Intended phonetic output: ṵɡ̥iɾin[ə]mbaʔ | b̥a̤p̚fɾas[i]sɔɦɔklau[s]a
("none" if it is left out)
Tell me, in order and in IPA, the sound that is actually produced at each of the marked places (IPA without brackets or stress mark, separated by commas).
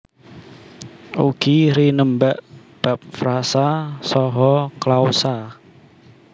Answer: ə, a, s